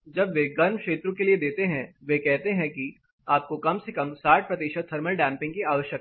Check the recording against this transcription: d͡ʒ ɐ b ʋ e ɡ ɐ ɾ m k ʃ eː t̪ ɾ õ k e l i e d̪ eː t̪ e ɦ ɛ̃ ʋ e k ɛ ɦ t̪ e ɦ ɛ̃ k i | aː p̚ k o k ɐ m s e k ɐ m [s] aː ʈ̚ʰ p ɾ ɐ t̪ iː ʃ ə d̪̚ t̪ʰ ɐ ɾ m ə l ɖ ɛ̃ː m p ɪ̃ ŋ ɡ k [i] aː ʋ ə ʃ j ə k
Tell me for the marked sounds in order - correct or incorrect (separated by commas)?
correct, correct